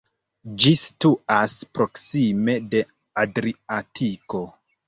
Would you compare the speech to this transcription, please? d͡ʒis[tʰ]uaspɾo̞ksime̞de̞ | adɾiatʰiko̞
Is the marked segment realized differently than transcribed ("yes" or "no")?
yes